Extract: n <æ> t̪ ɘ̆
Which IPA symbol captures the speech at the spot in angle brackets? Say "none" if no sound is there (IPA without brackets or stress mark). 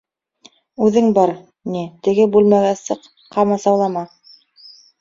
i